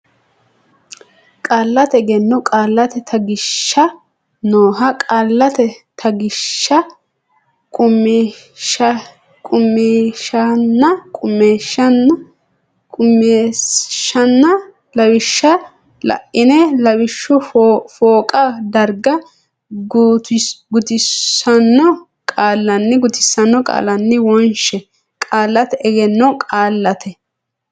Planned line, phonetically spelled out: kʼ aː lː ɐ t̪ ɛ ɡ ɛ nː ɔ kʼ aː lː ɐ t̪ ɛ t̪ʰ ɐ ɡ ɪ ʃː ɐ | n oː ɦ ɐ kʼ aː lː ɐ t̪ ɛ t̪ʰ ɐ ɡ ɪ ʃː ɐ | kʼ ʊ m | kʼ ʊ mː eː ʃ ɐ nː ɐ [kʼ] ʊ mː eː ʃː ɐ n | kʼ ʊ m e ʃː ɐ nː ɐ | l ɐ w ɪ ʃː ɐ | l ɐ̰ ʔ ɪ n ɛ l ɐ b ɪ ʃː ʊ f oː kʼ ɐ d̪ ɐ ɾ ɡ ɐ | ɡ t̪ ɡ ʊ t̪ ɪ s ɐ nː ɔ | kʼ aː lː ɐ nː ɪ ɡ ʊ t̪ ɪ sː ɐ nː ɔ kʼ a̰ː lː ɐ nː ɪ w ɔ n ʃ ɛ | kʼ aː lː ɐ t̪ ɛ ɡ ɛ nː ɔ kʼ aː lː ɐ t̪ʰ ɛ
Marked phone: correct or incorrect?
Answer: correct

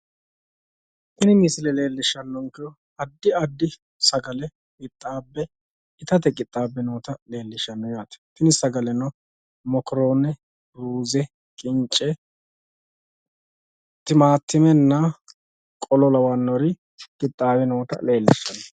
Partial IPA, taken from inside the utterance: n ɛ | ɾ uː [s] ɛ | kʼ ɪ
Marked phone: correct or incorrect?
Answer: incorrect: z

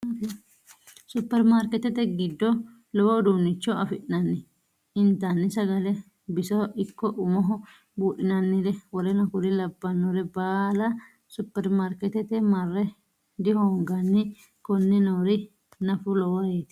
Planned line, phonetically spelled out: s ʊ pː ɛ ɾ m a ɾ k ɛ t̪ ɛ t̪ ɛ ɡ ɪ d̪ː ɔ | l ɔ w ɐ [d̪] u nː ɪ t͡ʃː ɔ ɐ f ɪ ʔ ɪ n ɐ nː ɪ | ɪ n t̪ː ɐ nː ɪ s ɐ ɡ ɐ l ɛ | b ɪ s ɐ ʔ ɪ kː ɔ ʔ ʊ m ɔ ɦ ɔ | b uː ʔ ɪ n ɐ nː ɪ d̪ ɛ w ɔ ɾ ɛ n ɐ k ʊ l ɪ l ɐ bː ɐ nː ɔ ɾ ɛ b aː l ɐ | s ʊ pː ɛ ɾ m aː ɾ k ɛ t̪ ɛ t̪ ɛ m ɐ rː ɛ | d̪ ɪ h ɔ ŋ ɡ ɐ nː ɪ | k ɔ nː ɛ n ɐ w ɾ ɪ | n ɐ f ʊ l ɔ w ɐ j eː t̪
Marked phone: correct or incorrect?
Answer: correct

